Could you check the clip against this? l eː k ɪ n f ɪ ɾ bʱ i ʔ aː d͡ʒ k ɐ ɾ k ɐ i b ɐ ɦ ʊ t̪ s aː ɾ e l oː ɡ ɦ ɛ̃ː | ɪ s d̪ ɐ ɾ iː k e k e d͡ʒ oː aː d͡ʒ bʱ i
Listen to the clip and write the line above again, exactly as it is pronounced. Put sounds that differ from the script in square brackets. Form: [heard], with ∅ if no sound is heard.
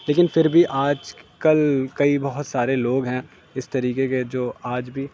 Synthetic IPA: l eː k ɪ n f ɪ ɾ bʱ i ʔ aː d͡ʒ k ɐ [l] k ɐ i b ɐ ɦ ʊ t̪ s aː ɾ e l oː ɡ ɦ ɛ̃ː | ɪ s [t̪] ɐ ɾ iː k e k e d͡ʒ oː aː d͡ʒ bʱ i